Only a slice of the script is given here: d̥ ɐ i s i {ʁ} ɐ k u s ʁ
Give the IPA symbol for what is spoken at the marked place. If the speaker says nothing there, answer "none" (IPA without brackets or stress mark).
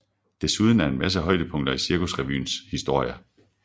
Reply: none